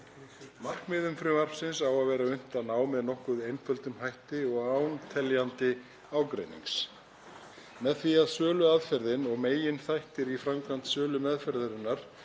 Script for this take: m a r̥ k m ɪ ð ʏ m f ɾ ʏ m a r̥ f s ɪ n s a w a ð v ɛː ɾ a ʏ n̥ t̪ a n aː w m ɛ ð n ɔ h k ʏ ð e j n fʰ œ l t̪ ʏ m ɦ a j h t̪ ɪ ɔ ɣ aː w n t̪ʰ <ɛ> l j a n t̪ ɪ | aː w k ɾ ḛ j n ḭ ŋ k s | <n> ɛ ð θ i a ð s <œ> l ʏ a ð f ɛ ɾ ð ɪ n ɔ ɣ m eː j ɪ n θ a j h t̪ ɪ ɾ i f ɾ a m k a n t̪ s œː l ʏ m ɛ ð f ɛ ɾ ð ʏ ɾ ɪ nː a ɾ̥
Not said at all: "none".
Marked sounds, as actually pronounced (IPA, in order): ɛ, m, œː

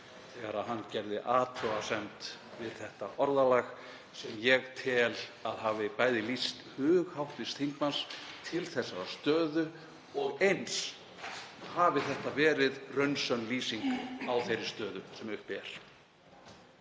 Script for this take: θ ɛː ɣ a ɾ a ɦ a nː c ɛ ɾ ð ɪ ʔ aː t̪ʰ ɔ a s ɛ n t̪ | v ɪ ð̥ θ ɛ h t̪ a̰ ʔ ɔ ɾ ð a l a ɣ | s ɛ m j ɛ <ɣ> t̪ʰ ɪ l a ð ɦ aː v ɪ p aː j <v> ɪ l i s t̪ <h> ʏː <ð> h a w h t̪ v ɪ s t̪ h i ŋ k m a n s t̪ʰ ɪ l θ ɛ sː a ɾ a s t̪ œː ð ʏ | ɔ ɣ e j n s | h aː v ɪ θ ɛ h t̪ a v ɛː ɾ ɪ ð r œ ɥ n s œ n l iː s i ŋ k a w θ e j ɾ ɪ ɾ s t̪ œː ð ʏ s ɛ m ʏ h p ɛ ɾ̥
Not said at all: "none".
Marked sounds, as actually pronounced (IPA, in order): ɣ, ð, h, ɣ

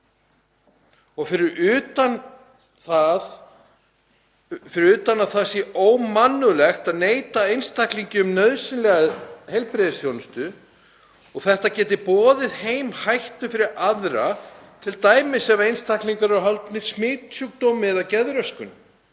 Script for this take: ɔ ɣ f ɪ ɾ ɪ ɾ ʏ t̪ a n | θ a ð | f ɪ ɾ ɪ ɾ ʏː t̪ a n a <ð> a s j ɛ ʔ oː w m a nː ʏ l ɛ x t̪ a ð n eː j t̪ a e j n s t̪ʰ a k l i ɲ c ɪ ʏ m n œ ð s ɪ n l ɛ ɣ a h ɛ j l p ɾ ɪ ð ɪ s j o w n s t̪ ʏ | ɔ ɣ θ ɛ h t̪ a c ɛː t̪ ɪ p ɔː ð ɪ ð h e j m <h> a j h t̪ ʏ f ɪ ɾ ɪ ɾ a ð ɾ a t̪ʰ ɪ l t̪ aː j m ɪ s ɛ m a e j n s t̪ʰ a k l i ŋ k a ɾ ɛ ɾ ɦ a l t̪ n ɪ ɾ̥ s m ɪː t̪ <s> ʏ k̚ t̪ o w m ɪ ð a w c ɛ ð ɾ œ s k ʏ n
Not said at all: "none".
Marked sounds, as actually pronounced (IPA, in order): θ, h, s

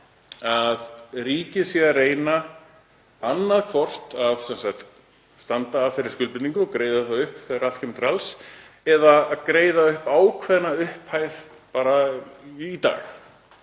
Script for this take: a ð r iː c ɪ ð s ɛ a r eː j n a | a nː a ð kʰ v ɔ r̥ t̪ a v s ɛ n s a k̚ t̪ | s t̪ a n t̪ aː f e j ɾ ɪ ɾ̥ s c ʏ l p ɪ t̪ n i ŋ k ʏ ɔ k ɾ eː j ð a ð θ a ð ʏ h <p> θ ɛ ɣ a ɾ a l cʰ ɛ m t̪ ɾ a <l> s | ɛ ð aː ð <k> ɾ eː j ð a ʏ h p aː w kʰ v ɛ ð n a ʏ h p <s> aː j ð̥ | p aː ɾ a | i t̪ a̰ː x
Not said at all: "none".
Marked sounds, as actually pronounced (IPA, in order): p, l, k, h

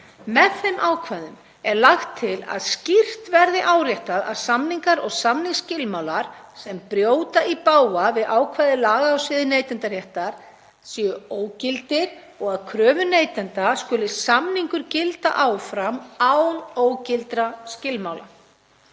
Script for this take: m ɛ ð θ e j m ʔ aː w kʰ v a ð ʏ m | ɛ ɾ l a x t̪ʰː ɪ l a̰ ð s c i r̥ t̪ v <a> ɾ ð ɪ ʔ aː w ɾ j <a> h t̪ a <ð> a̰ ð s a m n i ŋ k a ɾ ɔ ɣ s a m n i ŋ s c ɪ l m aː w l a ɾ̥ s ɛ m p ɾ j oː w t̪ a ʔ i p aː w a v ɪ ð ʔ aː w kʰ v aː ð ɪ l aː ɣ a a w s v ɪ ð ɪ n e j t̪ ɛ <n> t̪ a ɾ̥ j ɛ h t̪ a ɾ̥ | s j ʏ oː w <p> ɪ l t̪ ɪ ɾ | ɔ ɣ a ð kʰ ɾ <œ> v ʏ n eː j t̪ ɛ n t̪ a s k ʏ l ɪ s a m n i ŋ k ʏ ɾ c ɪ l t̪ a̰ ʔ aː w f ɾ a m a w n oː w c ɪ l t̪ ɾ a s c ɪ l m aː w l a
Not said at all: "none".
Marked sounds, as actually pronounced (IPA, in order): ɛ, ɛ, ð, n, c, œː

